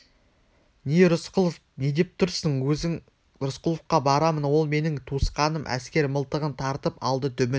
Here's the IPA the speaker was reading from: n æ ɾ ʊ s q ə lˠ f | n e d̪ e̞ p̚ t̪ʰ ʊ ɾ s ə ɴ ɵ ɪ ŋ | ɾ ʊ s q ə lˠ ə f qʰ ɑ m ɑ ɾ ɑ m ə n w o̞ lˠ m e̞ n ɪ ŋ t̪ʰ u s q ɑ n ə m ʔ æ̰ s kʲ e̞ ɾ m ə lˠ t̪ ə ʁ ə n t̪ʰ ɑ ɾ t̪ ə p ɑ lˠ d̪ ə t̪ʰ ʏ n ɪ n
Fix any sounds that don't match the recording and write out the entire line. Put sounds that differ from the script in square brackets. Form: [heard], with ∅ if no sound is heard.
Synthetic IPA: n [e] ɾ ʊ s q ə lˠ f | n e d̪ e̞ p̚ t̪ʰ ʊ ɾ s ə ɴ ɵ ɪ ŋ | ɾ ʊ s q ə lˠ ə f [q] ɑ [b] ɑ ɾ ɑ m ə n w o̞ lˠ m e̞ n ɪ ŋ t̪ʰ u s q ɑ n ə m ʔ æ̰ s kʲ e̞ ɾ m ə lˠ t̪ ə ʁ ə n t̪ʰ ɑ ɾ t̪ ə p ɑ lˠ d̪ ə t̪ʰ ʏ [m] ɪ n